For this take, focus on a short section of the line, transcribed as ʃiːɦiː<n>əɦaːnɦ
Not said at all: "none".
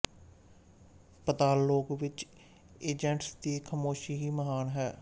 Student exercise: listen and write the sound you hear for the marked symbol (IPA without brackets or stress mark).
m